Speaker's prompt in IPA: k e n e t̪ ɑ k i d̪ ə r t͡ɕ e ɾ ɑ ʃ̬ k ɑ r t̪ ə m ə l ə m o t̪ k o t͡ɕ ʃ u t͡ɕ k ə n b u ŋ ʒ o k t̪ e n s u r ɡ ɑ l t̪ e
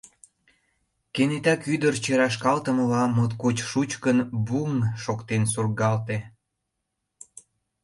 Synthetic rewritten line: k e n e t̪ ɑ k y d̪ ə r t͡ɕ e ɾ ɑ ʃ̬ k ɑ l t̪ ə m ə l ɑ m o t̪ k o t͡ɕ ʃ u t͡ɕ k ə n b u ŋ ʃ o k t̪ e n s u r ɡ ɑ l t̪ e